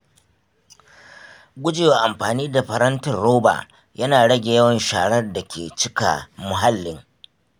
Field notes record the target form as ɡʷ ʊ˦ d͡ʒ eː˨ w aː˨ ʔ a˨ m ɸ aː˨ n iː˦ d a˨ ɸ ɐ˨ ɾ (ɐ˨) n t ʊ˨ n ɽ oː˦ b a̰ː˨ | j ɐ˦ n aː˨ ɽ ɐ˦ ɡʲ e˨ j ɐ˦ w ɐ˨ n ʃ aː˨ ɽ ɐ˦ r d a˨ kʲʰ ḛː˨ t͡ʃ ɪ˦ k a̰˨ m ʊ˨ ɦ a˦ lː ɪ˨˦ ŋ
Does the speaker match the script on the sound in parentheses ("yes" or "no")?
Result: no